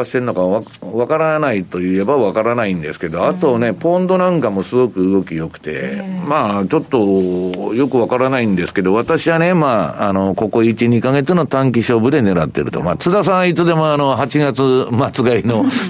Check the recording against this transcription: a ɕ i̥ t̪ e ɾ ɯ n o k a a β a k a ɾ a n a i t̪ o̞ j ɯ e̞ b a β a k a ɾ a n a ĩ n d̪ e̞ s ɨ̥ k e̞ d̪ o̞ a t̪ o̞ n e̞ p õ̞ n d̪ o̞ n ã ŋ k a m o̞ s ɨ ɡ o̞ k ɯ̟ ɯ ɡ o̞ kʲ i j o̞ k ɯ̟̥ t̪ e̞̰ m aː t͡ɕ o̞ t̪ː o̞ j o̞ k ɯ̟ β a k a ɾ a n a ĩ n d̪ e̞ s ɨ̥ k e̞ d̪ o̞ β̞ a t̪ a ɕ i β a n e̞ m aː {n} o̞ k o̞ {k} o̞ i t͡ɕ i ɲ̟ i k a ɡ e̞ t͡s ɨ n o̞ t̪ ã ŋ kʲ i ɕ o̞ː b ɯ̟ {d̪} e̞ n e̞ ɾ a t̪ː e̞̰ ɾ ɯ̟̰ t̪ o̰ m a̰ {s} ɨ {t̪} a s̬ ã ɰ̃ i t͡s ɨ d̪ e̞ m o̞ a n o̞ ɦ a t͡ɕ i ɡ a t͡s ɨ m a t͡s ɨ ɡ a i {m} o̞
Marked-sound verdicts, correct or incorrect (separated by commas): correct, correct, correct, incorrect, incorrect, incorrect